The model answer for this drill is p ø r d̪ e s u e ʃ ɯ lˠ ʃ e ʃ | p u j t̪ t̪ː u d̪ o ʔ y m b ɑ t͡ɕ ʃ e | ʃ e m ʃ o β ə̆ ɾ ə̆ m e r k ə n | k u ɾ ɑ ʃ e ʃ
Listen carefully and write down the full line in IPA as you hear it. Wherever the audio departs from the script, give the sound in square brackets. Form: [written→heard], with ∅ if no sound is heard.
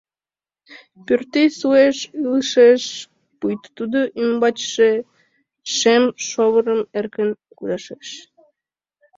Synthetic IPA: p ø r [d̪→t̪] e s u e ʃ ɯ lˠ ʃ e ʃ | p u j t̪ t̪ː u d̪ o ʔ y m b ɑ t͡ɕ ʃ e | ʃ e m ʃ o β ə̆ ɾ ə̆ m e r k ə n | k u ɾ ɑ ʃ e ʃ